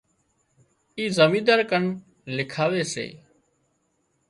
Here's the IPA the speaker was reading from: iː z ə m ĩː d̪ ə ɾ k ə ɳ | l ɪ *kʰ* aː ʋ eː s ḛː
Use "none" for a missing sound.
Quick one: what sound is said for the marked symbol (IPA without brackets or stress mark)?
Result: kʰ